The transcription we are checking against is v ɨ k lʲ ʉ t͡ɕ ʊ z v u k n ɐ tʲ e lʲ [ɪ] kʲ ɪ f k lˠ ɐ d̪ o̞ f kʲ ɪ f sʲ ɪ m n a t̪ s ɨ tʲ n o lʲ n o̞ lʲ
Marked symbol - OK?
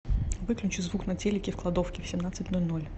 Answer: yes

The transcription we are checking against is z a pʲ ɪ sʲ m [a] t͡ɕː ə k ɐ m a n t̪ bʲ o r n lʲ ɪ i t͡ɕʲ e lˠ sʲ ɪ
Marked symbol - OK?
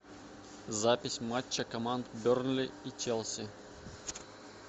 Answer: yes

